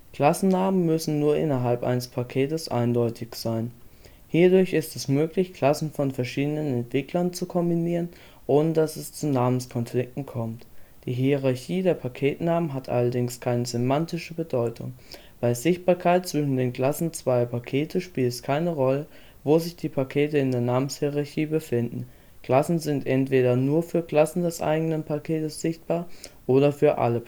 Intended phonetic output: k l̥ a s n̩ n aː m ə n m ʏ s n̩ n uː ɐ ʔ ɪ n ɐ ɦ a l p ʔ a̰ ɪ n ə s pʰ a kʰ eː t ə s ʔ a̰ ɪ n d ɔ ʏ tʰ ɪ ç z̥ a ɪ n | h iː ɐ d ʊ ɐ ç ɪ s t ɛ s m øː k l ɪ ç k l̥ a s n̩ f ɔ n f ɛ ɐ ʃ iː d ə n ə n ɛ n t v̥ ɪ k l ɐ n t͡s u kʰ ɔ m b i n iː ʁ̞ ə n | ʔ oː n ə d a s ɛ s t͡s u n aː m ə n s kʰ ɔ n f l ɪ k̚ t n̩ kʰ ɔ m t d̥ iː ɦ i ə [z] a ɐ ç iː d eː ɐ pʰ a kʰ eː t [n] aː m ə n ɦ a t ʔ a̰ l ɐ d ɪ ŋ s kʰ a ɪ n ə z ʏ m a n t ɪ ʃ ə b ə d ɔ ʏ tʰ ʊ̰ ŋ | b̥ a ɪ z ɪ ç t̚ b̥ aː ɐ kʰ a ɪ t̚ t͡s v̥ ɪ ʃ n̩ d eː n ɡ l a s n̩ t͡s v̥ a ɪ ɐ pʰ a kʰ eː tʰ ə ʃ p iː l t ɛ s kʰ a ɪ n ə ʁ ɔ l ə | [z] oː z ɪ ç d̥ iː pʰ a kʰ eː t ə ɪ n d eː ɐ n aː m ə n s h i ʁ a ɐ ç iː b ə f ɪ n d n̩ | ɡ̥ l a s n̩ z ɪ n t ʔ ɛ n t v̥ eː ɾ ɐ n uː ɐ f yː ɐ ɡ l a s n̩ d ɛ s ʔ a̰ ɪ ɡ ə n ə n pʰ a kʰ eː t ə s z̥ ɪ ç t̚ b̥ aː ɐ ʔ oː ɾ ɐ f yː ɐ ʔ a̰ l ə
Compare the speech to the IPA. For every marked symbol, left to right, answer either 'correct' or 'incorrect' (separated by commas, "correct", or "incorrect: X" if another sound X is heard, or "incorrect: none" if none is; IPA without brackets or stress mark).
incorrect: ʁ, correct, incorrect: v